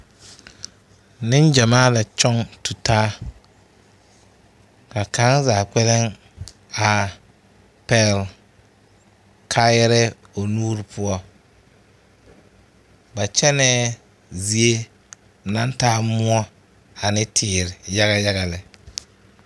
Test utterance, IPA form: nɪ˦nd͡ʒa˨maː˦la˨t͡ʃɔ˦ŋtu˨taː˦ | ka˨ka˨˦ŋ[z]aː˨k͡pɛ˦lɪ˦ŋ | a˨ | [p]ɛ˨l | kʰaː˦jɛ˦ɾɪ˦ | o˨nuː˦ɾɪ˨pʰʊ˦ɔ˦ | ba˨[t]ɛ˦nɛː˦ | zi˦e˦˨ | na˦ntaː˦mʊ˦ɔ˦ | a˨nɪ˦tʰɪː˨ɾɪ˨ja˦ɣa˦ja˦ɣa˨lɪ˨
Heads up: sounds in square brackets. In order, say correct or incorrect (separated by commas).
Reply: correct, correct, incorrect